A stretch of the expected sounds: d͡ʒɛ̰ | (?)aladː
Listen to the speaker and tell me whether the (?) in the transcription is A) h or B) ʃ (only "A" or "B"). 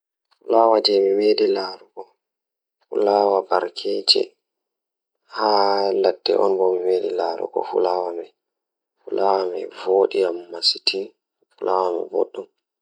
A